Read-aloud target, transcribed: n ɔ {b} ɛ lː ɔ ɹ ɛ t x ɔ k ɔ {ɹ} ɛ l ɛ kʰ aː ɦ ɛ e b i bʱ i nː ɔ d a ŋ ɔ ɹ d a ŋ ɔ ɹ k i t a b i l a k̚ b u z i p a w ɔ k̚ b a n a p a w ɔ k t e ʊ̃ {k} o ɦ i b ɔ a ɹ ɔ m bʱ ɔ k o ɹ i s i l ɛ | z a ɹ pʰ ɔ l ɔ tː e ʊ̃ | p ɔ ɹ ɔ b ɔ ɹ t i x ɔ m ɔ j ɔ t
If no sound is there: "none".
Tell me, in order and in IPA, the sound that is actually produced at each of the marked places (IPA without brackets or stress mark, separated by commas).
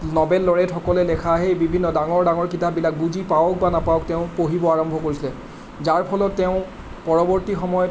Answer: b, l, p